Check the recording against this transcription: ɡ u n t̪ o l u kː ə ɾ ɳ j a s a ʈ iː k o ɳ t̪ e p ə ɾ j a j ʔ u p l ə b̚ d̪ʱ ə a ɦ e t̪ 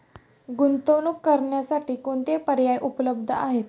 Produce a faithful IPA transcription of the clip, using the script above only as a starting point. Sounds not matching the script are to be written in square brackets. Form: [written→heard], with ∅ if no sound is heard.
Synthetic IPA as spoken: ɡ u n t̪ o l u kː ə ɾ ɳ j a s a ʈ iː k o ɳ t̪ e p ə ɾ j a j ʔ u p l ə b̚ d̪ʱ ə a ɦ e t̪

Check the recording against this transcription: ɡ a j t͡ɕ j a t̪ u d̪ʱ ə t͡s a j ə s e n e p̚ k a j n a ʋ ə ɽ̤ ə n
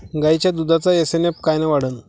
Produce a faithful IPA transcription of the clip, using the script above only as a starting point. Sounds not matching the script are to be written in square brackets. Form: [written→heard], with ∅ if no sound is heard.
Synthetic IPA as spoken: ɡ a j t͡ɕ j a [t̪→d̪] u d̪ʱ [ə→a] t͡s a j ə s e n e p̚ k a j n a ʋ [ə→a] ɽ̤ ə n

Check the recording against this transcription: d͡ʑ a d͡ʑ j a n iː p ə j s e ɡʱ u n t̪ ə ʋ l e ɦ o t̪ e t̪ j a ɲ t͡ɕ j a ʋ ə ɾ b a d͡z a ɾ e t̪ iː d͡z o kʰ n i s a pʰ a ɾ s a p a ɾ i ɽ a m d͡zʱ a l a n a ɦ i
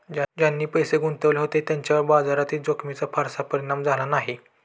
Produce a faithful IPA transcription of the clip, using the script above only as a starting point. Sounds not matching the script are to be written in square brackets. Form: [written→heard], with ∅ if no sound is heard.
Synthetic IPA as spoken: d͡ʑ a d͡ʑ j a [n→nː] iː p ə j s e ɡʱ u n t̪ ə ʋ l e ɦ o t̪ e t̪ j a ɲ t͡ɕ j a ʋ ə ɾ b a d͡z a ɾ [e→a] t̪ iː d͡z o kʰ [n→m] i [s→t͡s] a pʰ a ɾ s a p [a→ə] ɾ i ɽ a m d͡zʱ a l a n a ɦ i

